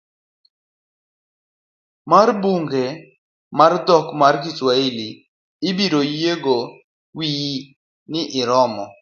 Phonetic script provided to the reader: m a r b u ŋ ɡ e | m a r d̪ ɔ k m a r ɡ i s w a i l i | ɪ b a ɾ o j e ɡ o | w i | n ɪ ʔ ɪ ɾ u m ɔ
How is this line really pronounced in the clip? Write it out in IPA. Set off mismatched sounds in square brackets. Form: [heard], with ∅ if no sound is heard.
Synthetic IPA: m a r b u ŋ ɡ e | m a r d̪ ɔ k m a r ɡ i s w a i l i | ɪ b [i] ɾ o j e ɡ o | w i | n ɪ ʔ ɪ ɾ [ɔ] m ɔ